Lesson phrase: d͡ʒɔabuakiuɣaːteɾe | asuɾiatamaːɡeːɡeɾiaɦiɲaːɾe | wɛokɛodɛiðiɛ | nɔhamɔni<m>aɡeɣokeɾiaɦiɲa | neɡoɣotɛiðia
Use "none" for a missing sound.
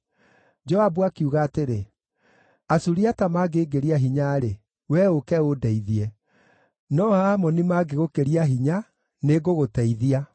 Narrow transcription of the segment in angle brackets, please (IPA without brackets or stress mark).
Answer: m